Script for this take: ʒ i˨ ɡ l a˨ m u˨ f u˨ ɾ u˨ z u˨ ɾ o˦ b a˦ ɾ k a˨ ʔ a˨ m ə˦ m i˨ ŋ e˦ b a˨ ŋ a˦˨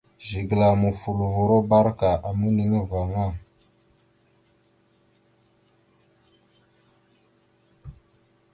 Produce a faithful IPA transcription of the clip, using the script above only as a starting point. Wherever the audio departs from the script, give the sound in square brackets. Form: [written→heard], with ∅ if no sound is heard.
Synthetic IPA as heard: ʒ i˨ ɡ l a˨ m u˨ f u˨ [ɾ→l] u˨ [z→v] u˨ ɾ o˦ b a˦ ɾ k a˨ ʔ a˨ m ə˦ [m→n] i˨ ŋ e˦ [b→v] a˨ ŋ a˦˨